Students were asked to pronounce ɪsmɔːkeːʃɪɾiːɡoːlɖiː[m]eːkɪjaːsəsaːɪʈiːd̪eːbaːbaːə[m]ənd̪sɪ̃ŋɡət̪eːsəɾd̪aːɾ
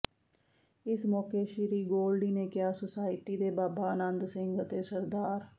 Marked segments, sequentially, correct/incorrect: incorrect: n, incorrect: n

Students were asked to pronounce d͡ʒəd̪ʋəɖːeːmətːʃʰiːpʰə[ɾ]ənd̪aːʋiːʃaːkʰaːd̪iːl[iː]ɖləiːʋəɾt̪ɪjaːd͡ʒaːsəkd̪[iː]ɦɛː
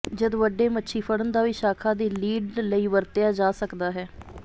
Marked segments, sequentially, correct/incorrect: incorrect: ɽ, correct, incorrect: aː

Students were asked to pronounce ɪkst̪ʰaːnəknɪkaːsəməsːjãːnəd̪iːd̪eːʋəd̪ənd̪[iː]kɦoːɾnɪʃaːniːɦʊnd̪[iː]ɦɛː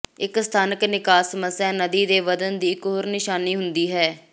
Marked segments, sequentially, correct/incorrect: correct, correct

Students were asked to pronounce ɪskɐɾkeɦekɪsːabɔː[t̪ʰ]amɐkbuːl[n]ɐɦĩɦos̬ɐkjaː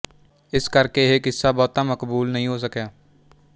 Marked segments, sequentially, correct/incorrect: incorrect: t̪, correct

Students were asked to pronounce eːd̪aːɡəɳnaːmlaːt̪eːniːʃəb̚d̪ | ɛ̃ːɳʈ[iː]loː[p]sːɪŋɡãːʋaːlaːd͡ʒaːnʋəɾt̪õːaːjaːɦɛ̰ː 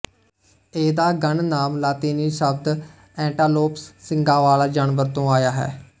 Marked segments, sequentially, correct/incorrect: incorrect: aː, correct

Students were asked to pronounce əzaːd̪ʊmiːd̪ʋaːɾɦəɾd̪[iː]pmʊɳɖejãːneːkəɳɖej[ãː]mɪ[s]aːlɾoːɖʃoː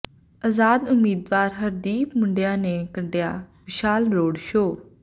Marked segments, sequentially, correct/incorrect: correct, incorrect: aː, incorrect: ʃ

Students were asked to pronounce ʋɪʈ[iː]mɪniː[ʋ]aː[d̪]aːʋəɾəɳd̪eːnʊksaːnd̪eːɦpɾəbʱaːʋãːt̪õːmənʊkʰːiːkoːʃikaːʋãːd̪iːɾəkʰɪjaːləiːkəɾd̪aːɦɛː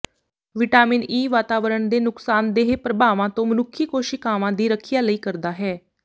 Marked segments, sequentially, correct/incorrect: incorrect: aː, correct, incorrect: t̪

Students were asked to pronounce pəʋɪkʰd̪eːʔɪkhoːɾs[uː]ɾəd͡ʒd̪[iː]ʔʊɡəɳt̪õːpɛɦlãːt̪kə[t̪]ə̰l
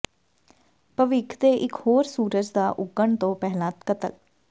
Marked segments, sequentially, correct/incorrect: correct, incorrect: aː, correct

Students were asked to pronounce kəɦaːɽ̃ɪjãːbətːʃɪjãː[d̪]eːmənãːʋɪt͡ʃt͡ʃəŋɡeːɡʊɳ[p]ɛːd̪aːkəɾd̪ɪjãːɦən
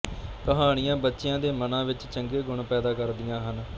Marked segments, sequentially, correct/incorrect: correct, correct

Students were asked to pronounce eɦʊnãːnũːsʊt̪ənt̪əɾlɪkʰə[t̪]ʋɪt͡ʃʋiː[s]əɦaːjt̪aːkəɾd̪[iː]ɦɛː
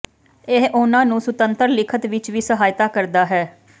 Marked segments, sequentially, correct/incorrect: correct, correct, incorrect: aː

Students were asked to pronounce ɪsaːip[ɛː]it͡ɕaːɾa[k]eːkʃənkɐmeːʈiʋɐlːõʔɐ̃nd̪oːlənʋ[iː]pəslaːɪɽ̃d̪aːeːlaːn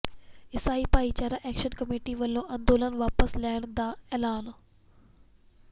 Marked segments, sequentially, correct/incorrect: incorrect: aː, incorrect: ʔ, incorrect: aː

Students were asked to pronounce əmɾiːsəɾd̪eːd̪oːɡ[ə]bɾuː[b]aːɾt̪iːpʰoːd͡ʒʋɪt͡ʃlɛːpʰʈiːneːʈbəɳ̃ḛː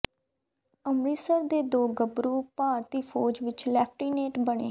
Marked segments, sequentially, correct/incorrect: correct, incorrect: p

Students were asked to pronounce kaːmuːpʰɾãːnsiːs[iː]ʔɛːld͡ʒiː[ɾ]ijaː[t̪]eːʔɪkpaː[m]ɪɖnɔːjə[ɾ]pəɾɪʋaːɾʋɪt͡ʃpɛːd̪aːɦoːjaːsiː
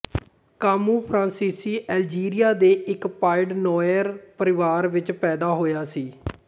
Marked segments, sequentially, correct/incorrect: correct, correct, incorrect: d̪, incorrect: none, correct

